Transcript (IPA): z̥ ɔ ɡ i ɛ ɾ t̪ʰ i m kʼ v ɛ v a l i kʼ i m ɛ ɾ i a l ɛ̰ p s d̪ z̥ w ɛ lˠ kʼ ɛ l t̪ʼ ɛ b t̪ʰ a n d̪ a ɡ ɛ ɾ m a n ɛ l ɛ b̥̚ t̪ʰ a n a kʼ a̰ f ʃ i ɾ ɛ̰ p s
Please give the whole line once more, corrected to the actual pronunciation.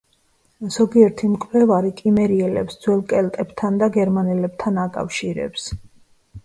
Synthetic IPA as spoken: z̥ ɔ ɡ i ɛ ɾ t̪ʰ i m kʼ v ɛ v a ɾ i kʼ i m ɛ ɾ i ɛ l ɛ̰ p s d̪ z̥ w ɛ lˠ kʼ ɛ l t̪ʼ ɛ b t̪ʰ a n d̪ a ɡ ɛ ɾ m a n ɛ l ɛ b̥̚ t̪ʰ a n a kʼ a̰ f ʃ i ɾ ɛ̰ p s